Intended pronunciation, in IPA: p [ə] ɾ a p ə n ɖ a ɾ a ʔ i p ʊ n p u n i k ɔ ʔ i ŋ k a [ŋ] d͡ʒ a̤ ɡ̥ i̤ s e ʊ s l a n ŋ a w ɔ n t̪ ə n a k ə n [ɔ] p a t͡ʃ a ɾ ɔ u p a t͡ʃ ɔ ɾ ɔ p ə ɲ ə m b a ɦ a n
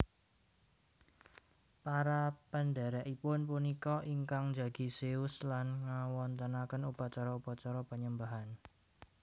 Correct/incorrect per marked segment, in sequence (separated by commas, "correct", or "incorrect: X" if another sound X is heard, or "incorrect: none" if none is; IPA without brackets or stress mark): incorrect: a, correct, incorrect: u